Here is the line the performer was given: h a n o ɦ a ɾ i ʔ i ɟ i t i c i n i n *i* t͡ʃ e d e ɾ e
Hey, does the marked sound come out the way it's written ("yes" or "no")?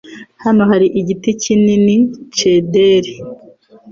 yes